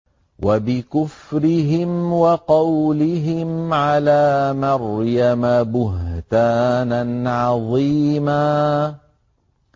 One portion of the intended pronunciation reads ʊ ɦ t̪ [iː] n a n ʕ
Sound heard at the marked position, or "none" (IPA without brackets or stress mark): aː